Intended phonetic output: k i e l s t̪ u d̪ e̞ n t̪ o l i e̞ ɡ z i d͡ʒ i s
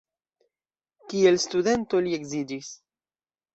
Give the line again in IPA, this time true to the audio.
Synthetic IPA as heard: k i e l s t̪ u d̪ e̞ n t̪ o l i e̞ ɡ z i d͡ʒ i s

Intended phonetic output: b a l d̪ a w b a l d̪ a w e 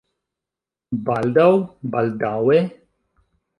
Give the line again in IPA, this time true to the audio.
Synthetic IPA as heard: b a l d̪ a w b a l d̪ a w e

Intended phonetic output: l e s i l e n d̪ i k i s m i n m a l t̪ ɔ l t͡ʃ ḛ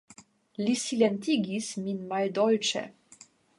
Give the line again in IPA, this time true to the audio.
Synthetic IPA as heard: l i s i l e n t̪ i ɡ i s m i n m a l d̪ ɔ l t͡ʃ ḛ

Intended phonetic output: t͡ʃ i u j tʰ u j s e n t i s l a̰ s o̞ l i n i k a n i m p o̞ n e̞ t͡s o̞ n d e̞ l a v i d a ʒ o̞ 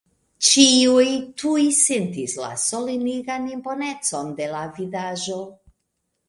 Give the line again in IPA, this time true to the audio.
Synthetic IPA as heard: t͡ʃ i u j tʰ u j s e n t i s l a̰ s o̞ l i n i ɡ a n i m p o̞ n e̞ t͡s o̞ n d e̞ l a v i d a ʒ o̞

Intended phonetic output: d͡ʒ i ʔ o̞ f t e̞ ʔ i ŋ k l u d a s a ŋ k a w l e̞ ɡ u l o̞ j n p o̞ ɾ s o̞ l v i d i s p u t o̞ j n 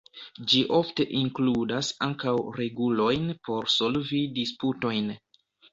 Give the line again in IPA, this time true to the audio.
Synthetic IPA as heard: d͡ʒ i ʔ o̞ f t e̞ ʔ i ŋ k l u d a s a ŋ k a w ɾ e̞ ɡ u l o̞ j n p o̞ ɾ s o̞ l v i d i s p u t o̞ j n

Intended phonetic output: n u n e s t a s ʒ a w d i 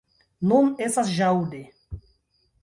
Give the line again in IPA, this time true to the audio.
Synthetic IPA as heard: n u n e s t a s ʒ a w d e

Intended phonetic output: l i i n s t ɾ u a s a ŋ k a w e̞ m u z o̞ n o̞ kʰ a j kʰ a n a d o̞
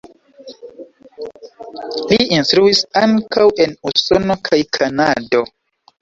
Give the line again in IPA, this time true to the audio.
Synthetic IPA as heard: l i i n s t ɾ u i s a ŋ k a w e̞ n u s o̞ n o̞ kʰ a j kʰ a n a d o̞

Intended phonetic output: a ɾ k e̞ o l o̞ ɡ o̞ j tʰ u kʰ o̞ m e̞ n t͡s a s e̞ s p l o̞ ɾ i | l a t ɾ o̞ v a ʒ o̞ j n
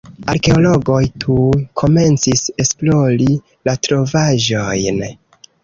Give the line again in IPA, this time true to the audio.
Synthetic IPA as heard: a ɾ k e̞ o l o̞ ɡ o̞ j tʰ u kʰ o̞ m e̞ n t͡s i s e̞ s p l o̞ ɾ i | l a t ɾ o̞ v a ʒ o̞ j n

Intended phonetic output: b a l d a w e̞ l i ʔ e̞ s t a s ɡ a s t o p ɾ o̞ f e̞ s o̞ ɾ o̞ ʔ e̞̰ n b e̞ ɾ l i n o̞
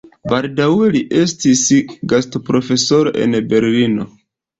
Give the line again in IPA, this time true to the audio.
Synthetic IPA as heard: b a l d a w e̞ l i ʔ e̞ s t i s ɡ a s t o p ɾ o̞ f e̞ s o̞ ɾ o̞ ʔ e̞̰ n b e̞ ɾ l i n o̞

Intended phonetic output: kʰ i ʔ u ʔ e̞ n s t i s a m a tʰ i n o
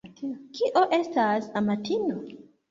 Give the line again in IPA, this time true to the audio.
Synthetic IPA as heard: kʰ i ʔ o ʔ e̞ s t a s a m a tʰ i n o

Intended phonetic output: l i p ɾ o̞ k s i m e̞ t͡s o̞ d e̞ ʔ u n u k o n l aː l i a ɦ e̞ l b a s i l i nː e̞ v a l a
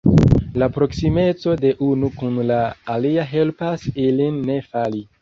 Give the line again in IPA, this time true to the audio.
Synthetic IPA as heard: l a p ɾ o̞ k s i m e̞ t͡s o̞ d e̞ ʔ u n u k u n l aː l i a ɦ e̞ l p a s i l i nː e̞ f a l i

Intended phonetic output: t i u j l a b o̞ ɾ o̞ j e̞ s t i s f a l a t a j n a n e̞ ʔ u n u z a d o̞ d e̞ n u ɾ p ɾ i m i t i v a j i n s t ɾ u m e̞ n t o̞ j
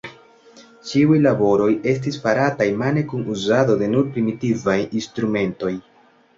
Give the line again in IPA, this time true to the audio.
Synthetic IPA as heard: t͡ʃ i u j l a b o̞ ɾ o̞ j e̞ s t i s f a ɾ a t a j m a n e̞ k u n u z a d o̞ d e̞ n u ɾ p ɾ i m i t i v a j i n s t ɾ u m e̞ n t o̞ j

